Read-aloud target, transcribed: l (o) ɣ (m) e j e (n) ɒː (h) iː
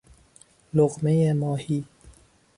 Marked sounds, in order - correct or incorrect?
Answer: correct, correct, incorrect: m, correct

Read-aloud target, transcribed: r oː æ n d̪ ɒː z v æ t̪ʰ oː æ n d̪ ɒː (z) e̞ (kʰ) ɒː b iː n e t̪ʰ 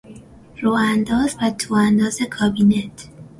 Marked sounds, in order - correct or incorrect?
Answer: correct, correct

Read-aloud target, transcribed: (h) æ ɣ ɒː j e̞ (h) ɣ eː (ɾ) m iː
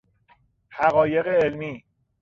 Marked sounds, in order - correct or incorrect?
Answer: correct, incorrect: none, incorrect: l

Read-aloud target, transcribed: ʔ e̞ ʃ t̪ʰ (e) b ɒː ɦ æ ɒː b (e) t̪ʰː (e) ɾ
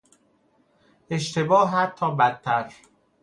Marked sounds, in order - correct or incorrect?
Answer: correct, incorrect: æ, incorrect: æ

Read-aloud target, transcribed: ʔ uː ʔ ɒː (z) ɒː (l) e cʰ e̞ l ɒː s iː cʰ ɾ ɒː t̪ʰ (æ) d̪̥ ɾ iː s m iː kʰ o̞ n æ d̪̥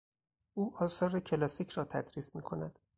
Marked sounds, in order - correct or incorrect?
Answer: incorrect: s, incorrect: ɾ, correct

